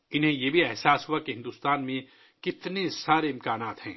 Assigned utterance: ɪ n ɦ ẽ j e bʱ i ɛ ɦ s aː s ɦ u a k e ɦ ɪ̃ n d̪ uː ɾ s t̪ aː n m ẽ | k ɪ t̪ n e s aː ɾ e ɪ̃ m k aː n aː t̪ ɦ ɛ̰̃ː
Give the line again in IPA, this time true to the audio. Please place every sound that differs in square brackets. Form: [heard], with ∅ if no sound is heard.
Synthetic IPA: ɪ n ɦ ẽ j e bʱ i ɛ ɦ s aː s ɦ u a k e ɦ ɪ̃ n d̪ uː [∅] s t̪ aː n m ẽ | k ɪ t̪ n e s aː ɾ e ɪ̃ m k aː n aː t̪ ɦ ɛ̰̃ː